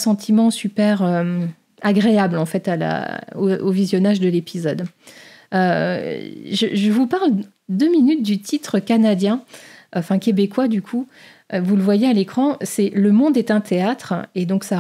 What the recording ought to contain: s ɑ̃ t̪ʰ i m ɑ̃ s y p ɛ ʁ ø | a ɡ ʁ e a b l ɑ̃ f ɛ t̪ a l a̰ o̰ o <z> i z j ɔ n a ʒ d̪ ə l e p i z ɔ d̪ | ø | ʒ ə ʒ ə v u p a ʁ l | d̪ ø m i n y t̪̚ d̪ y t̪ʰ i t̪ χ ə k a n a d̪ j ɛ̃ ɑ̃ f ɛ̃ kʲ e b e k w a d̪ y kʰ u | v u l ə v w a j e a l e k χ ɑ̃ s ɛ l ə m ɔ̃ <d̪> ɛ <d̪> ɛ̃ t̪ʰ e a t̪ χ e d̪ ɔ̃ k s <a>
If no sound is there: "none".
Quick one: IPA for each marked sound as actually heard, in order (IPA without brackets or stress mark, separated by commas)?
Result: v, d̪, t̪, a